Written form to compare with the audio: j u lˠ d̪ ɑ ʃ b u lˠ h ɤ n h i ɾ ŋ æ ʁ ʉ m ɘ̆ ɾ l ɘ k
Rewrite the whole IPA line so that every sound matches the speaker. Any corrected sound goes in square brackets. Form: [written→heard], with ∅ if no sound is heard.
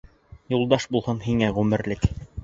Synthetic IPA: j u lˠ d̪ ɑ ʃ b u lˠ h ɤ n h i [ɾ→∅] ŋ æ ʁ ʉ m ɘ̆ ɾ l ɘ k

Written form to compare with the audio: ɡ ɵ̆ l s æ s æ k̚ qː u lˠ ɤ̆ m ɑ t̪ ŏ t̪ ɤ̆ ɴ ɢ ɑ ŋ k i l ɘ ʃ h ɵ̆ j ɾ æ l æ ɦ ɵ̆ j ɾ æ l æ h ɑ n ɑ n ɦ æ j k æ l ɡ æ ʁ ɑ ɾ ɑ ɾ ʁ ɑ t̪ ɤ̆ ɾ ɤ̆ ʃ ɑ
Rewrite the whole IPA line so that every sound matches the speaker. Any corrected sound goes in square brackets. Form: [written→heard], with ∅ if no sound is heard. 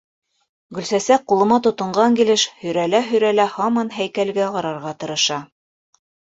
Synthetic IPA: ɡ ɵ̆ l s æ s æ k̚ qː u lˠ ɤ̆ m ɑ t̪ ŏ t̪ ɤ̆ ɴ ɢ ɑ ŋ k i l ɘ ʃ h ɵ̆ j ɾ æ l æ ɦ ɵ̆ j ɾ æ l æ h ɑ [n→m] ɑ n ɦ æ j k æ l ɡ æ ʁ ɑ ɾ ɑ ɾ ʁ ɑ t̪ ɤ̆ ɾ ɤ̆ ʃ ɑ

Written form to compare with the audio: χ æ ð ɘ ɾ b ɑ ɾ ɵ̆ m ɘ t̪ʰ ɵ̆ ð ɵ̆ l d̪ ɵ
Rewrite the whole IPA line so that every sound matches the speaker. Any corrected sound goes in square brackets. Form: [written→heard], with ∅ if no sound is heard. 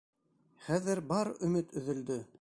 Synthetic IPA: χ æ ð ɘ ɾ b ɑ ɾ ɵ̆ m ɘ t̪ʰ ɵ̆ ð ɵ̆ l d̪ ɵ

